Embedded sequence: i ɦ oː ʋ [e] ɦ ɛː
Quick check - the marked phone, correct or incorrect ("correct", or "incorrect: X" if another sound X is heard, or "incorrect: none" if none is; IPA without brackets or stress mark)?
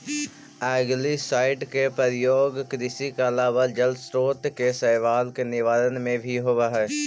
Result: incorrect: a